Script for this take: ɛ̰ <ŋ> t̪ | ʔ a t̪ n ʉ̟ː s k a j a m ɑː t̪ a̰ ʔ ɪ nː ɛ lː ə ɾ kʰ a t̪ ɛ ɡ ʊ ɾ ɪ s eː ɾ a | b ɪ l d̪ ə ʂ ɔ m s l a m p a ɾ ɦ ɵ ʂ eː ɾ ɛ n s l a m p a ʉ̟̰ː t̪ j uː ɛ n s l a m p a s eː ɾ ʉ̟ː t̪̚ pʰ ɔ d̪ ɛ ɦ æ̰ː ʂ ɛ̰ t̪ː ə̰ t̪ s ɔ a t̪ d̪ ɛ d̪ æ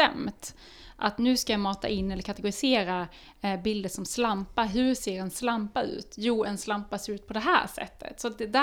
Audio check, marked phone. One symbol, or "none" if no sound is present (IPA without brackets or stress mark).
m